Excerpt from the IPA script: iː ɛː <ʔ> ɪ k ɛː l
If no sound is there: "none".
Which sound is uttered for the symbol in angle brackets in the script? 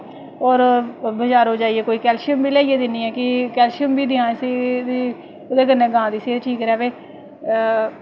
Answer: k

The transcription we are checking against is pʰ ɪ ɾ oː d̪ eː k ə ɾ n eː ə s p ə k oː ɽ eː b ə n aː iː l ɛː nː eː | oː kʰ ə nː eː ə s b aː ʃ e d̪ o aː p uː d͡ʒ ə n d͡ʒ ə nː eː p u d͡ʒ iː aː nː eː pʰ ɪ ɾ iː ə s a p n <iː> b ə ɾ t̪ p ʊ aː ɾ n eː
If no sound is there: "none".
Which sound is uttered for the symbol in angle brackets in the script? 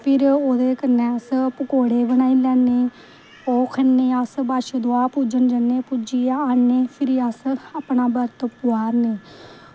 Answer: aː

